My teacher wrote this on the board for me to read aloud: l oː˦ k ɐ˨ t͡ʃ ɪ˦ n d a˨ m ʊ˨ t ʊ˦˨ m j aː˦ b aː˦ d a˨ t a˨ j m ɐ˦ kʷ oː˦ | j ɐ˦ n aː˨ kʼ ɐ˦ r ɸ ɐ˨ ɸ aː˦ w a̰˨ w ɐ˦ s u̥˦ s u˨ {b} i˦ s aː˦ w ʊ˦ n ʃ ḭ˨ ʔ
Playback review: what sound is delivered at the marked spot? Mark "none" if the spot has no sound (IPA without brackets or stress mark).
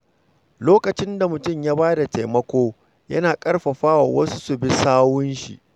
b